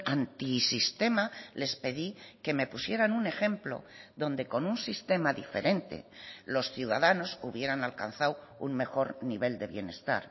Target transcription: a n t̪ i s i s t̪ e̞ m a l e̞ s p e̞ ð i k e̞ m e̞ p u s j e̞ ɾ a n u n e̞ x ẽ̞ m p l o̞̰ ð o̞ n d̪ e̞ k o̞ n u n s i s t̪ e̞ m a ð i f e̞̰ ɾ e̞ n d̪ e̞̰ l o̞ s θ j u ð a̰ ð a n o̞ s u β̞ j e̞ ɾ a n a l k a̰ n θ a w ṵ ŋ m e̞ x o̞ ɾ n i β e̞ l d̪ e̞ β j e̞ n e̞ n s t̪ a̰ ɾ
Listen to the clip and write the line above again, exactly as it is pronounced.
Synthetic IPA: a n t̪ i s i s t̪ e̞ m a l e̞ s p e̞ ð i k e̞ m e̞ p u s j e̞ ɾ a n u n e̞ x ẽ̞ m p l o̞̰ ð o̞ n d̪ e̞ k o̞ n u n s i s t̪ e̞ m a ð i f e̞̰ ɾ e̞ n t̪ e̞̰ l o̞ s θ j u ð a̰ ð a n o̞ s u β̞ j e̞ ɾ a n a l k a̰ n θ a w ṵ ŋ m e̞ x o̞ ɾ n i β e̞ l d̪ e̞ β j e̞ n e̞ s t̪ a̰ ɾ

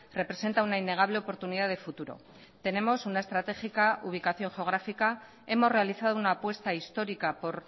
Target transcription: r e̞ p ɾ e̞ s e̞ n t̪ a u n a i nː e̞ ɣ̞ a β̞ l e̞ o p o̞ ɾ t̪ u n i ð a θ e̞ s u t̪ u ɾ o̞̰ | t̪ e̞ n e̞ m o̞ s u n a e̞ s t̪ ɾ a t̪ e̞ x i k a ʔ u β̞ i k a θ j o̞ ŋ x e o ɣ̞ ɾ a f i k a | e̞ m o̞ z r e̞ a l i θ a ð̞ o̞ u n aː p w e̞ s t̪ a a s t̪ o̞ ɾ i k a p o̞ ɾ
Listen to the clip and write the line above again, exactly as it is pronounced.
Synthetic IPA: r e̞ p ɾ e̞ s e̞ n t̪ a u n a i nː e̞ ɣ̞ a β̞ l e̞ o p o̞ ɾ t̪ u n i ð a ð e̞ f u t̪ u ɾ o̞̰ | t̪ e̞ n e̞ m o̞ s u n a e̞ s t̪ ɾ a t̪ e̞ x i k a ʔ u β̞ i k a θ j o̞ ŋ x e o ɣ̞ ɾ a f i k a | e̞ m o̞ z r e̞ a l i θ a ð̞ o̞ u n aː p w e̞ s t̪ a i s t̪ o̞ ɾ i k a p o̞ ɾ

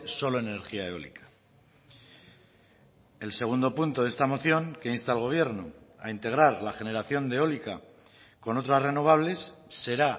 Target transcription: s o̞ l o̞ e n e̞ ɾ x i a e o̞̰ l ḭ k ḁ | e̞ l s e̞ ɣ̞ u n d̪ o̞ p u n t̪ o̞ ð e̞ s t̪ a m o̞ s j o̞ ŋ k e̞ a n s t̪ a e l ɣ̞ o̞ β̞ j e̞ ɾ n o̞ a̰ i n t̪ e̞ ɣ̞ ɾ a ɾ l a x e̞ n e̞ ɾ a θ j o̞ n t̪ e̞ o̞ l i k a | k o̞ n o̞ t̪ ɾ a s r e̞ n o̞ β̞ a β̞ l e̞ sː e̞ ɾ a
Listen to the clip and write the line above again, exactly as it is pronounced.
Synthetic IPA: s o̞ l o̞ e n e̞ ɾ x i a e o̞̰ l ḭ k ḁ | e̞ l s e̞ ɣ̞ u n d̪ o̞ p u n t̪ o̞ ð e̞ s t̪ a m o̞ θ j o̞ ŋ k e̞ i n s t̪ a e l ɣ̞ o̞ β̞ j e̞ ɾ n o̞ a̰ i n t̪ e̞ ɣ̞ ɾ a ɾ l a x e̞ n e̞ ɾ a θ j o̞ n d̪ e̞ o̞ l i k a | k o̞ n o̞ t̪ ɾ a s r e̞ n o̞ β̞ a β̞ l e̞ sː e̞ ɾ a

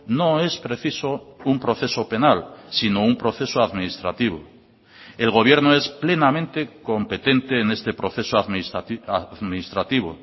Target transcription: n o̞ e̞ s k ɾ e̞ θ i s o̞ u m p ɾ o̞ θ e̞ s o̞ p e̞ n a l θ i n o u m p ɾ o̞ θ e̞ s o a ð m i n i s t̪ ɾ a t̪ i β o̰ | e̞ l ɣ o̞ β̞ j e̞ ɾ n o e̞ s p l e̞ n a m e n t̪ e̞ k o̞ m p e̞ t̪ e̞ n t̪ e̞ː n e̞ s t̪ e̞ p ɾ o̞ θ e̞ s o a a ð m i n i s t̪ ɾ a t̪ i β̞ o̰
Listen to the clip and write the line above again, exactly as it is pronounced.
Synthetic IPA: n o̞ e̞ s p ɾ e̞ θ i s o̞ u m p ɾ o̞ θ e̞ s o̞ p e̞ n a l s i n o u m p ɾ o̞ θ e̞ s o a ð m i n i s t̪ ɾ a t̪ i β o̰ | e̞ l ɣ o̞ β̞ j e̞ ɾ n o e̞ s p l e̞ n a m ẽ n t̪ e̞ k o̞ m p e̞ t̪ e̞ n t̪ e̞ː n e̞ s t̪ e̞ p ɾ o̞ θ e̞ s o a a ð m i n i s t̪ ɾ a t̪ i β̞ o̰

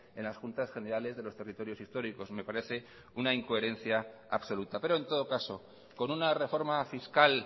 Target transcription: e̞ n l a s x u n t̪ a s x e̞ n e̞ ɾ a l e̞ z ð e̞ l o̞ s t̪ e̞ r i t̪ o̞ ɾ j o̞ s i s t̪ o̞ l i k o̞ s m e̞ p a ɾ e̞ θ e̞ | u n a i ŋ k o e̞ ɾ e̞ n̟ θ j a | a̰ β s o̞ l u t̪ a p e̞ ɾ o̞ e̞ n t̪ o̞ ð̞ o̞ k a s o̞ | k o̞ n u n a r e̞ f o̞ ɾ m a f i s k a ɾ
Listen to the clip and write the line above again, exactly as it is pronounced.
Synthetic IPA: e̞ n l a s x u n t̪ a s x e̞ n e̞ ɾ a l e̞ z ð e̞ l o̞ s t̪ e̞ r i t̪ o̞ ɾ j o̞ s i s t̪ o̞ ɾ i k o̞ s m e̞ p a ɾ e̞ θ e̞ | u n a i ŋ k o e̞ ɾ e̞ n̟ θ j a | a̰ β s o̞ l u t̪ a p e̞ ɾ o̞ e̞ n t̪ o̞ ð̞ o̞ k a s o̞ | k o̞ n u n a r e̞ f o̞ ɾ m a f i s k a l

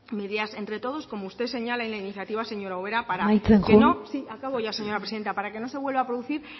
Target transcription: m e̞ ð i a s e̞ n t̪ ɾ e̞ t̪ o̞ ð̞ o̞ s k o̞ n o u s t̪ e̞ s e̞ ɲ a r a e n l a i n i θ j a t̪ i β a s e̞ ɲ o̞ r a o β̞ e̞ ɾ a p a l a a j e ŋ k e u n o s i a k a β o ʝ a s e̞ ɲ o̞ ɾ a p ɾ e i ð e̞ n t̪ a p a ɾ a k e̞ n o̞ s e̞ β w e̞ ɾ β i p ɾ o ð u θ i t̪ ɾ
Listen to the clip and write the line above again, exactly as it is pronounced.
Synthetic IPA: m e̞ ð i a s e̞ n t̪ ɾ e̞ t̪ o̞ ð̞ o̞ s k o̞ m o u s t̪ e̞ s e̞ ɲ a l a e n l a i n i θ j a t̪ i β a s e̞ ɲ o̞ ɾ a o β̞ e̞ ɾ a p a ɾ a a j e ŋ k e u n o s i a k a β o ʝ a s e̞ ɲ o̞ ɾ a p ɾ e i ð e̞ n t̪ a p a ɾ a k e̞ n o̞ s e̞ β w e̞ l β a p ɾ o ð u θ i ɾ

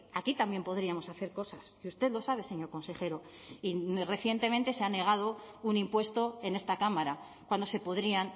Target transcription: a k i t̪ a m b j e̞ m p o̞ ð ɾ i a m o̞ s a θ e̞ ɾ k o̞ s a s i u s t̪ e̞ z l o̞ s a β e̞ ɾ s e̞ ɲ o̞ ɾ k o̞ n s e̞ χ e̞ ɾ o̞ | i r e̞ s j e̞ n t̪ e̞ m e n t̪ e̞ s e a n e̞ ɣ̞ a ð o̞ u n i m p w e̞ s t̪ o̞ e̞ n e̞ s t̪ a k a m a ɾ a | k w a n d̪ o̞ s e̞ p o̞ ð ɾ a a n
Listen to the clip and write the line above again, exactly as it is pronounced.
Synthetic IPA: a k i t̪ a m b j e̞ m p o̞ ð ɾ i a m o̞ s a θ e̞ ɾ k o̞ s a s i u s t̪ e̞ ð l o̞ s a β e̞ s e̞ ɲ o̞ ɾ k o̞ n s e̞ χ e̞ ɾ o̞ | i r e̞ θ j e̞ n t̪ e̞ m e n t̪ e̞ s e a n e̞ ɣ̞ a ð o̞ u n i m p w e̞ s t̪ o̞ e̞ n e̞ s t̪ a k a m a ɾ a | k w a n d̪ o̞ s e̞ p o̞ ð ɾ i a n

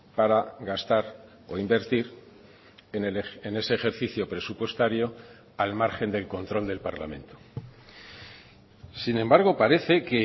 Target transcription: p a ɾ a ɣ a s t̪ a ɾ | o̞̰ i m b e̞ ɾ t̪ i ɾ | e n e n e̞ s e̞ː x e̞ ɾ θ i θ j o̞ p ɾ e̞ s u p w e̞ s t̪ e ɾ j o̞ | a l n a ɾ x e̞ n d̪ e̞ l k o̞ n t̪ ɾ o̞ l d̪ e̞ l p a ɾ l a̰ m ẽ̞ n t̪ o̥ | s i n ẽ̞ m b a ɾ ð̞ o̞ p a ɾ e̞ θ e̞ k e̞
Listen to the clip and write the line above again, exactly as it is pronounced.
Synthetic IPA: p a ɾ a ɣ a s t̪ a ɾ | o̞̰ i m b e̞ ɾ t̪ i ɾ | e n e n e̞ s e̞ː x e̞ ɾ θ i θ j o̞ p ɾ e̞ s u p w e̞ s t̪ a ɾ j o̞ | a l m a ɾ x e̞ n d̪ e̞ l k o̞ n t̪ ɾ o̞ l d̪ e̞ l p a ɾ l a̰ m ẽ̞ n t̪ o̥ | s i n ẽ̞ m b a ɾ ɣ̞ o̞ p a ɾ e̞ θ e̞ k e̞

